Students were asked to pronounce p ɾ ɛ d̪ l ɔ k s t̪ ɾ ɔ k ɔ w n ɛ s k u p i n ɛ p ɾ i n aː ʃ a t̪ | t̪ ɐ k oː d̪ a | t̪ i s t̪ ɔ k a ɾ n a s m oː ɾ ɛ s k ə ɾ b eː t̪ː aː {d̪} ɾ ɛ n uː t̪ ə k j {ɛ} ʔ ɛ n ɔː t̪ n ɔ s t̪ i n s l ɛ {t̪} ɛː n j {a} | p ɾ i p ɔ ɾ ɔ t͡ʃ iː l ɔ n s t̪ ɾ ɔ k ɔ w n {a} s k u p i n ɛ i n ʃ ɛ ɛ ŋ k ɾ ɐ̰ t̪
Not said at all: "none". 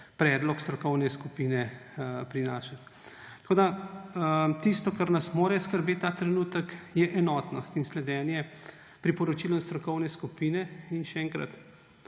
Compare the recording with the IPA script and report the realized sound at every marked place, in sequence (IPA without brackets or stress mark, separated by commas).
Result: t̪, ɛ, d̪, ɛ, ɛ